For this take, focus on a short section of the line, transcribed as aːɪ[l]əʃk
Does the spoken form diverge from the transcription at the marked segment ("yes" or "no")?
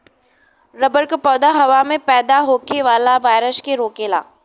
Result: yes